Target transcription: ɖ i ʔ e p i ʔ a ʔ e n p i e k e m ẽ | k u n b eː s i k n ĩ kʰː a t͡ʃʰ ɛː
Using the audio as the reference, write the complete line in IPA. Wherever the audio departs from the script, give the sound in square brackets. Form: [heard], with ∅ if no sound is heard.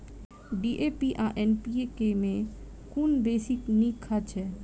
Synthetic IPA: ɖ i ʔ e p i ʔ a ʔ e n p i e k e m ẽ | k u n b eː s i k n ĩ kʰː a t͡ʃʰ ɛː